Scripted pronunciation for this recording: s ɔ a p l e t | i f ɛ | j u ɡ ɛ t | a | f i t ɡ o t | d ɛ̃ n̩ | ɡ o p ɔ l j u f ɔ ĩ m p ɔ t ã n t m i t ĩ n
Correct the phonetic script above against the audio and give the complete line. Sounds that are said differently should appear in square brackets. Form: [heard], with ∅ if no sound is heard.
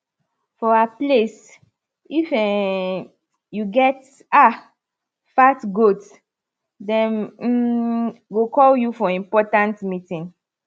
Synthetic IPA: [f] ɔ a p l e [s] | i f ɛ | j u ɡ ɛ t | a | f [a] t ɡ o t | d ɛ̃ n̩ | ɡ o [k] ɔ l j u f ɔ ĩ m p ɔ t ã n t m i t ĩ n